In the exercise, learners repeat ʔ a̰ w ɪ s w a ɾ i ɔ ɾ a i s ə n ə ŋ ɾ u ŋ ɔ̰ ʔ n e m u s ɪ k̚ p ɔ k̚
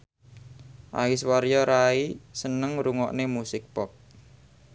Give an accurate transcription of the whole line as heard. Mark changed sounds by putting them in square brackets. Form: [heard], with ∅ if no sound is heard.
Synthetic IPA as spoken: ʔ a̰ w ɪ s w a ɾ [j] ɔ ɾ a i s ə n ə ŋ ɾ u ŋ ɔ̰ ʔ n e m u s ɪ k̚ p ɔ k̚